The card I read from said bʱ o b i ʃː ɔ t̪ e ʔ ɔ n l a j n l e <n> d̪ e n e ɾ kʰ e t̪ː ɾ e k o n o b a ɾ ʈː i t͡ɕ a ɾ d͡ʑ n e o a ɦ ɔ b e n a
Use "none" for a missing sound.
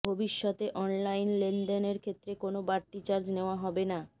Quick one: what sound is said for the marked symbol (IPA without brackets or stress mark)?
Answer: n